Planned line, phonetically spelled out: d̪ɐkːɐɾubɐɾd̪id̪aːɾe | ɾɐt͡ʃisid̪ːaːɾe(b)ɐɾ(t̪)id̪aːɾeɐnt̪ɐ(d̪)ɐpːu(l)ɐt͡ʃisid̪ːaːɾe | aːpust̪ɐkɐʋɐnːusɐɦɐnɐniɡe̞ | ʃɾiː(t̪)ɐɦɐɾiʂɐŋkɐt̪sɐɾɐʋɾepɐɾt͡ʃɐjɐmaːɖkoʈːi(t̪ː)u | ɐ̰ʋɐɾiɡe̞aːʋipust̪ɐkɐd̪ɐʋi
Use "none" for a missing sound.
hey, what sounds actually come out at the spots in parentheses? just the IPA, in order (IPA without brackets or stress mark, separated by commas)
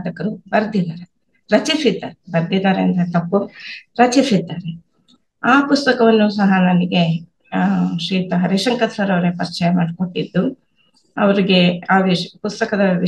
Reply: b, d̪, t̪, ɾ, t̪, d̪ː